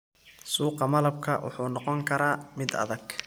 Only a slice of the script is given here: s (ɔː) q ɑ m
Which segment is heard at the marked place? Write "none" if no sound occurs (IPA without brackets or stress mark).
uː